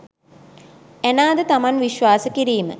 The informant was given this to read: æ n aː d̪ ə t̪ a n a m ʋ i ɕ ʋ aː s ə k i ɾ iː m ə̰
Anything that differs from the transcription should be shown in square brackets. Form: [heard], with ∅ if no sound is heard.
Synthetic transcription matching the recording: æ n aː d̪ ə t̪ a [m] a [n] ʋ i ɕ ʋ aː s ə k i ɾ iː m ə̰